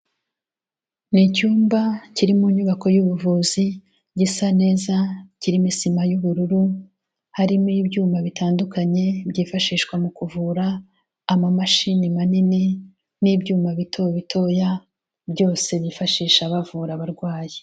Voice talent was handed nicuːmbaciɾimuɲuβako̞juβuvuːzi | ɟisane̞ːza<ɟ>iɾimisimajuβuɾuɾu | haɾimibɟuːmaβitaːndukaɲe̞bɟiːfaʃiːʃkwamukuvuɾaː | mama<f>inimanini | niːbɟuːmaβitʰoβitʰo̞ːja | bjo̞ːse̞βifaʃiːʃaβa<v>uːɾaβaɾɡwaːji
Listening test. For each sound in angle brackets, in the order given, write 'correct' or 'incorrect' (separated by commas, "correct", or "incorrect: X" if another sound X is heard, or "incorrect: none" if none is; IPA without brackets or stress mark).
incorrect: c, incorrect: ʃ, correct